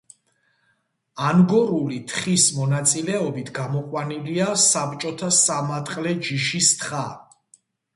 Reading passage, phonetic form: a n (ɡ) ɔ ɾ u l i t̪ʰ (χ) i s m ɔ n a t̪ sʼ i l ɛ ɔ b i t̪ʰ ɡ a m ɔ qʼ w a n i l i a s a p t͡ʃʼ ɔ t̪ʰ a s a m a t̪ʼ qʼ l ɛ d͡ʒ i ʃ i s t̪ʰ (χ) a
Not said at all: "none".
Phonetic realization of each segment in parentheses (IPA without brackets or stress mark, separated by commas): ɡ, χ, χ